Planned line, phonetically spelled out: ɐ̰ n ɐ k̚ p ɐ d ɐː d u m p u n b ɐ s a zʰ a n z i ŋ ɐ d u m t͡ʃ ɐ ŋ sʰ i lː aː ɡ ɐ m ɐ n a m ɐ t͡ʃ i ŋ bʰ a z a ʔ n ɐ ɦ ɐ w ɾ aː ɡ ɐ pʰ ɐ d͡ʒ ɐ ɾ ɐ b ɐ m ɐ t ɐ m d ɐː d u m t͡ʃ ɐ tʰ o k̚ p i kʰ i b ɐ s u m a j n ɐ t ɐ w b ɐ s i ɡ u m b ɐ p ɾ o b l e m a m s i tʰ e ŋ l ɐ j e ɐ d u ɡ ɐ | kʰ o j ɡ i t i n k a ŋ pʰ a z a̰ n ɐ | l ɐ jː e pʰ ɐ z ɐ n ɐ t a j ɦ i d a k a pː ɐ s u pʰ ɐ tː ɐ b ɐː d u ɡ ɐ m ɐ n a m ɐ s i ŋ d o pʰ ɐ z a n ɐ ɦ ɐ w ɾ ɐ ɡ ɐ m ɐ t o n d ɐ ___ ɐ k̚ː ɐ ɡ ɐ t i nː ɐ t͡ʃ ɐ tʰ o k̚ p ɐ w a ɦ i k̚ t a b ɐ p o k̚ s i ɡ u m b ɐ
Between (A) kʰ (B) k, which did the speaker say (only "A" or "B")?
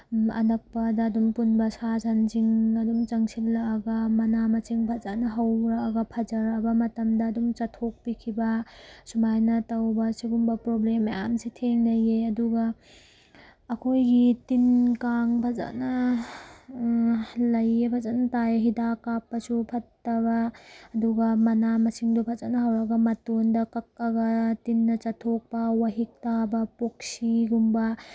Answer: B